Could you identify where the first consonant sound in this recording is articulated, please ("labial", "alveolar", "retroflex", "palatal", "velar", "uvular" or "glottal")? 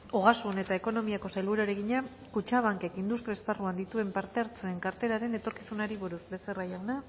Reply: velar